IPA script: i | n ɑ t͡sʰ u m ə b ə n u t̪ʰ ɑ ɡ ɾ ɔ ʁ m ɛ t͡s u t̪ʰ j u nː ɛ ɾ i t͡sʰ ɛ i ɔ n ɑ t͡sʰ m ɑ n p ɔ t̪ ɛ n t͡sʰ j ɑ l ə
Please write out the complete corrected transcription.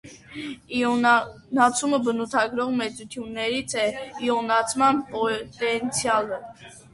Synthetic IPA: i | n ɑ t͡sʰ u m ə b ə n u t̪ʰ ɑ ɡ ɾ ɔ ʁ m ɛ t͡s u t̪ʰ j u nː ɛ ɾ i t͡sʰ ɛ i ɔ n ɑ t͡sʰ m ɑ n p ɔ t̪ ɛ n t͡sʰ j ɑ l ə